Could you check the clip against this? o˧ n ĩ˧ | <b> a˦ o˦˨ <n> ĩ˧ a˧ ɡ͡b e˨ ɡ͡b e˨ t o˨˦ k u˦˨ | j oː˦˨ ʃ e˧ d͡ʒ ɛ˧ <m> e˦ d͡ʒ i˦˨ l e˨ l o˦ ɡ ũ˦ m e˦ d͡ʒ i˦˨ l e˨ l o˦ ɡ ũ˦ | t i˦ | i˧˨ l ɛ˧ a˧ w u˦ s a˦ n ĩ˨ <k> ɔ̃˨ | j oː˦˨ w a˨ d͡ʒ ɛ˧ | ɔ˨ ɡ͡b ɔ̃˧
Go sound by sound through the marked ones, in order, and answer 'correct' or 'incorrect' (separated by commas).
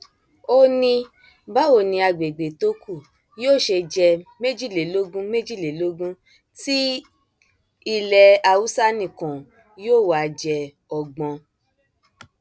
correct, correct, correct, correct